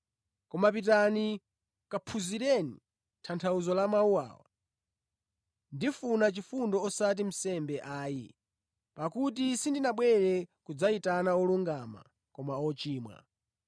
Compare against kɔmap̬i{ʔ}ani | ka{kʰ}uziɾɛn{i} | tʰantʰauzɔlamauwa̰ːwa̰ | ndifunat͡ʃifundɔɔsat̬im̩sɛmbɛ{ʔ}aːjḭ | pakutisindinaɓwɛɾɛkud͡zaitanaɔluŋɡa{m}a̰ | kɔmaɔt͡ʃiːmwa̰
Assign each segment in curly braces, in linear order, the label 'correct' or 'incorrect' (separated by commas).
incorrect, incorrect, correct, correct, correct